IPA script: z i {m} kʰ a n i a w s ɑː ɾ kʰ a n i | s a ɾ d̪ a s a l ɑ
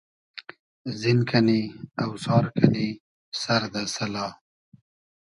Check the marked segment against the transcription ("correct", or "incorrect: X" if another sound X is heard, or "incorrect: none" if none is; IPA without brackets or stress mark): incorrect: n